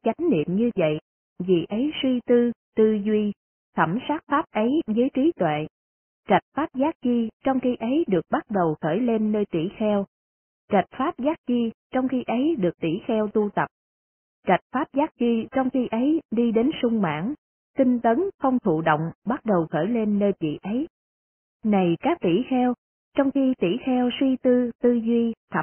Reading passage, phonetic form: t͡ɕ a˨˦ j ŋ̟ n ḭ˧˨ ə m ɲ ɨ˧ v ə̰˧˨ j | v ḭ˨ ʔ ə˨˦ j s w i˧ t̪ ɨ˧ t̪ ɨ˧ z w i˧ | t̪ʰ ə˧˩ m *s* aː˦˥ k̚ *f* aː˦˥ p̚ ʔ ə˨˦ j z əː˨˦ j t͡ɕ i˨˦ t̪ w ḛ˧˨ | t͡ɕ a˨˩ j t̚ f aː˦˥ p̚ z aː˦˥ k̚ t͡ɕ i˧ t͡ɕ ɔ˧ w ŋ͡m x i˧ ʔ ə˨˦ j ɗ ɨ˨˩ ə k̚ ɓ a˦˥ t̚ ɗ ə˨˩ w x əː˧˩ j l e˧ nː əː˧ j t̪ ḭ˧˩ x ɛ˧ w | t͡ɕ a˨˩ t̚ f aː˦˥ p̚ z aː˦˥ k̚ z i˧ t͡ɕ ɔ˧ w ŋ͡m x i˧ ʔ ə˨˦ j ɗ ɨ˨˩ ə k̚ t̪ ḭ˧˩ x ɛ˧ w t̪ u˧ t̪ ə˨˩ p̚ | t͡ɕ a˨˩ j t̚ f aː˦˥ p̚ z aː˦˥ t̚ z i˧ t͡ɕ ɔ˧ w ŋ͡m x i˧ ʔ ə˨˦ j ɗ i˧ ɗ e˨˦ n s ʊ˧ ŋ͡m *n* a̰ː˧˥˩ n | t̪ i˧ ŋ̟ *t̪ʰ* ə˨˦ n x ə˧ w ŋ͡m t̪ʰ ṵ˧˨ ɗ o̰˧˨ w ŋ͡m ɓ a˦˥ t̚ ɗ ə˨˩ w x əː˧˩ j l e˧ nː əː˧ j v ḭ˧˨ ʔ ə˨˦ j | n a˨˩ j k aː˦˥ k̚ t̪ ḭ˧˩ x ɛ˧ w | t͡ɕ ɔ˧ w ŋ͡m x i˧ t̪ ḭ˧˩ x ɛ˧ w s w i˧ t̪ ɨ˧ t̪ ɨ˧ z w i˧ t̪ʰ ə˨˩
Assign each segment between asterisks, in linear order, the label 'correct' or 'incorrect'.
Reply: correct, correct, incorrect: m, incorrect: t̪

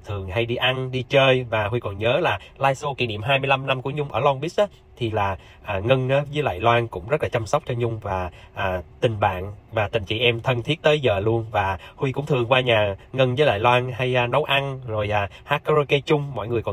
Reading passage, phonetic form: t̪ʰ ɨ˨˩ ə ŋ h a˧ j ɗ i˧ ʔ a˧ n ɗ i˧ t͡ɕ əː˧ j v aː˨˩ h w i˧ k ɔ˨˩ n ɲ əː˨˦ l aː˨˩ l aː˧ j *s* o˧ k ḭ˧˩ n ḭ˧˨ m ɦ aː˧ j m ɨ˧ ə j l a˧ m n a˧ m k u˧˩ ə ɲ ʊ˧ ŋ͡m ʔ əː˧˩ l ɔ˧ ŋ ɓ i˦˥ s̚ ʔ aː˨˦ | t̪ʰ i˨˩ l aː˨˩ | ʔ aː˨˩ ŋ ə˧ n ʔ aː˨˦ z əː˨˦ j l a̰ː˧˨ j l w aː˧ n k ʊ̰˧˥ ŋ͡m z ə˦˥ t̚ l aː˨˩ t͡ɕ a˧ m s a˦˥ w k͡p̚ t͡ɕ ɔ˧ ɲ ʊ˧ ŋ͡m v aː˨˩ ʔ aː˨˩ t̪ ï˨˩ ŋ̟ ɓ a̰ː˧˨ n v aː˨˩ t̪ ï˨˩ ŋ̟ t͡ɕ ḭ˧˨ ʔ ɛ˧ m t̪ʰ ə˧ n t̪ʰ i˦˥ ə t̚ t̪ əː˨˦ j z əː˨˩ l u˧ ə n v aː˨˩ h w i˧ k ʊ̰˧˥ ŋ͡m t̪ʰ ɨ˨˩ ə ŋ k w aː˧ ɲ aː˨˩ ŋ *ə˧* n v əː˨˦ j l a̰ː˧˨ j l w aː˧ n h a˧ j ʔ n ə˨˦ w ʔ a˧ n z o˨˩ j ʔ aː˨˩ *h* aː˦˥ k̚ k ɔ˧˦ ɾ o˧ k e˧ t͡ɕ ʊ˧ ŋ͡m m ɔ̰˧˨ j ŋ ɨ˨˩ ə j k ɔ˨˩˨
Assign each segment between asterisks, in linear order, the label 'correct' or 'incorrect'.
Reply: correct, correct, correct

